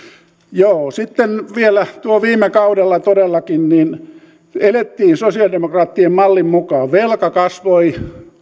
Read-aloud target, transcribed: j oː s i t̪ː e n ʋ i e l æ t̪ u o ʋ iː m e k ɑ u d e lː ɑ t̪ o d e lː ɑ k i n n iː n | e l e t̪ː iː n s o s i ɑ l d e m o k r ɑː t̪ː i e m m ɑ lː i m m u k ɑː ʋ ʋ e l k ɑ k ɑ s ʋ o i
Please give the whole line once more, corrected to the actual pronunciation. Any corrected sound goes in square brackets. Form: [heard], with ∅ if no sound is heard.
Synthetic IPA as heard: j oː s i t̪ː e n ʋ i e l æ t̪ u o ʋ iː m e k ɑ u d e lː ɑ t̪ o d e lː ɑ k i n n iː n | e l e t̪ː iː n s o s i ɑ l d e m o k r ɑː t̪ː i e m m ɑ lː i m m u k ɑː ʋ ʋ e l k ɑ k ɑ s ʋ o i